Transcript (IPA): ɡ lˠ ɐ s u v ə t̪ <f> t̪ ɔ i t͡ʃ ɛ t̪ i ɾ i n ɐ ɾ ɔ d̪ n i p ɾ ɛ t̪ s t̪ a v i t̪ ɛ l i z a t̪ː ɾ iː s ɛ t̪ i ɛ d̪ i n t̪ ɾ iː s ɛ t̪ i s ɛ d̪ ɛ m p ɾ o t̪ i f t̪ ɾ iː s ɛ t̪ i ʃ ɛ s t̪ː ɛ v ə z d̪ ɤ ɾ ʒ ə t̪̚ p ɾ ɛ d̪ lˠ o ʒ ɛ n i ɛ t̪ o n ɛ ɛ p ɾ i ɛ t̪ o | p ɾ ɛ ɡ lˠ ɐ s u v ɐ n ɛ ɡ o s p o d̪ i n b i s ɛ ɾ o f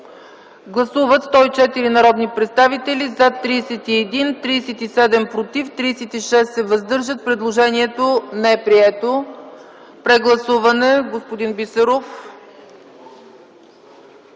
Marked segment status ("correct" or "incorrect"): incorrect